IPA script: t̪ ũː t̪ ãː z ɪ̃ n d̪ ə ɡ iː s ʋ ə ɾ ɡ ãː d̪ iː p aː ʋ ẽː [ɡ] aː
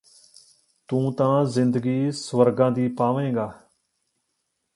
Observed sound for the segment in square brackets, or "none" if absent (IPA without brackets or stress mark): ɡ